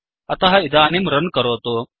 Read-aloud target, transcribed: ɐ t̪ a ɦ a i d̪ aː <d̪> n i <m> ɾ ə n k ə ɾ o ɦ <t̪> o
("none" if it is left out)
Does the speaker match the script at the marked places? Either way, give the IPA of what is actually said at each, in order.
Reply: none, m, t̪

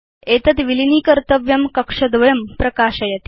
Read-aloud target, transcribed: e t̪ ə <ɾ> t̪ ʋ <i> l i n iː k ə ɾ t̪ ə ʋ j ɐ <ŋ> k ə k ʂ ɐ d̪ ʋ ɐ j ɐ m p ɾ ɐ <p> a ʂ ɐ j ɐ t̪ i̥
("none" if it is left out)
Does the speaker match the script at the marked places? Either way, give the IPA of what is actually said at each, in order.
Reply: none, i, m, k

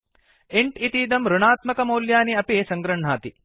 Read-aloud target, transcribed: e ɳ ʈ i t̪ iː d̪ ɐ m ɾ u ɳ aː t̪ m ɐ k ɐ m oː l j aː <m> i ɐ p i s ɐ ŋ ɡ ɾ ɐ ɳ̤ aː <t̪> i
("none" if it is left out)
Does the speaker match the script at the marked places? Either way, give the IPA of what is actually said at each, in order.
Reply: n, t̪

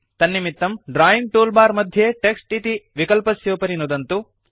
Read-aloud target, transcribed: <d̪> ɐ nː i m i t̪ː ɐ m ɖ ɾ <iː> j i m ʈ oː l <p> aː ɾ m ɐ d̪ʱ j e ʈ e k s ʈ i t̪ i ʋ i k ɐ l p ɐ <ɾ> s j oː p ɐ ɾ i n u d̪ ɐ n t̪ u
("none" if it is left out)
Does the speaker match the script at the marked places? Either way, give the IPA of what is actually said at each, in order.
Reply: t̪, aː, b, none

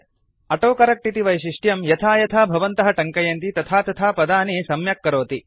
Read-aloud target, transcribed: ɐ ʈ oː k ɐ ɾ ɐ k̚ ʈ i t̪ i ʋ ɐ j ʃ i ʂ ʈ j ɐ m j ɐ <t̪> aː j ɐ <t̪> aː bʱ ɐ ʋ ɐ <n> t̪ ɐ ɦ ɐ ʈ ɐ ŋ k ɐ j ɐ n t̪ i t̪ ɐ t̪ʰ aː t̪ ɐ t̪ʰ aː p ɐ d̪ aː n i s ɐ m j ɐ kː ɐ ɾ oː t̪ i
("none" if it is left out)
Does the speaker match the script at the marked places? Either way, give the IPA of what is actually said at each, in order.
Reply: t̪ʰ, t̪ʰ, n

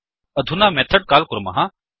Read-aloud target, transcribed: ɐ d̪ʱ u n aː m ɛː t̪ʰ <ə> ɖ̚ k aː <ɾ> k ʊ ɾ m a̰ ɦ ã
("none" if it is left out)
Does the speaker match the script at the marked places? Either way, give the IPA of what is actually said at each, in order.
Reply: ə, l

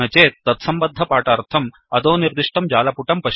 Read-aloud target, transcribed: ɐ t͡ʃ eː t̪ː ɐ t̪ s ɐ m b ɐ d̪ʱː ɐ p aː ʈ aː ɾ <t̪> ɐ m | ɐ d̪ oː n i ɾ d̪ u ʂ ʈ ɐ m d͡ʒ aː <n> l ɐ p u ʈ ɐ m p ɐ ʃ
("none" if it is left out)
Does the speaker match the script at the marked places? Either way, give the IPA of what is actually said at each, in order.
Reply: t̪ʰ, none

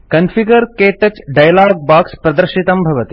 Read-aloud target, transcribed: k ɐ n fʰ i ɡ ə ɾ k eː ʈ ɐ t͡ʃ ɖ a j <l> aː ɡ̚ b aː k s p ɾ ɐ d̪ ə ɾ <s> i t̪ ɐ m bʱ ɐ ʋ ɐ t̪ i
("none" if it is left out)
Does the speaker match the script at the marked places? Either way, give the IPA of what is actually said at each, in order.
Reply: l, ʃ

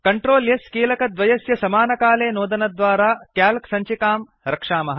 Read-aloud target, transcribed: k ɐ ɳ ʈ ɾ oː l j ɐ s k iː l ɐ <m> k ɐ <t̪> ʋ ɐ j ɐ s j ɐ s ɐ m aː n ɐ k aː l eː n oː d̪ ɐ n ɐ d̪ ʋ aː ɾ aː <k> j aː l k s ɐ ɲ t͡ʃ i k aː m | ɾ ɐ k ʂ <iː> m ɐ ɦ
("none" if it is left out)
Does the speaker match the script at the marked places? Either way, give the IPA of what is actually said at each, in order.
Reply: none, d̪, k, aː

